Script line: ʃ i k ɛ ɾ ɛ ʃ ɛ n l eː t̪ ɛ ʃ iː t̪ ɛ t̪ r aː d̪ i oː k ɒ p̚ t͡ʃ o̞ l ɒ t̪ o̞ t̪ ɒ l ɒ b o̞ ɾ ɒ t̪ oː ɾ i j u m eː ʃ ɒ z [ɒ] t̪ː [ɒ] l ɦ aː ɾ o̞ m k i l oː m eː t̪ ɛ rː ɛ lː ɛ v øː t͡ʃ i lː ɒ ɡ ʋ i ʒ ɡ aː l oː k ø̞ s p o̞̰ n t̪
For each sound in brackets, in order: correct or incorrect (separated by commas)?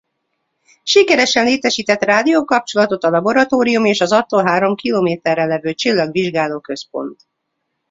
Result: correct, incorrect